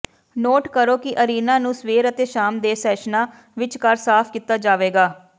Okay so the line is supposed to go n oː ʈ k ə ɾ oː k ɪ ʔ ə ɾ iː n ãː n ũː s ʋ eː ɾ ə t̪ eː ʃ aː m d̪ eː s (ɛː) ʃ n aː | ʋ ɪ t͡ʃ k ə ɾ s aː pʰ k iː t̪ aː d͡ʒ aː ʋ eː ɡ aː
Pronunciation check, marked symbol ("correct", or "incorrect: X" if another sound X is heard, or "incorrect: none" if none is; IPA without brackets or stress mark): correct